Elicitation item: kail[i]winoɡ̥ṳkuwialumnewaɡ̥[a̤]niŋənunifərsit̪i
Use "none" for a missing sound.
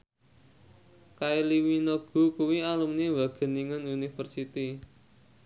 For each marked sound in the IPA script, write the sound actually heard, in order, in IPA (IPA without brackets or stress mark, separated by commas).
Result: i, ə̤